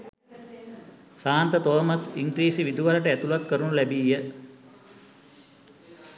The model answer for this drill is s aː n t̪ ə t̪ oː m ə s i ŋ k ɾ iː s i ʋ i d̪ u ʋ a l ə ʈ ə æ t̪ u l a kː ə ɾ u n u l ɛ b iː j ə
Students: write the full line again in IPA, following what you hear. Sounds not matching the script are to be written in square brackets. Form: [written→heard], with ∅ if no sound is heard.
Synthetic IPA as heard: s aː n t̪ ə t̪ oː m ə s i ŋ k ɾ iː s i ʋ i d̪ u ʋ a l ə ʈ ə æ t̪ u l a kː ə ɾ u n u l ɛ b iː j ə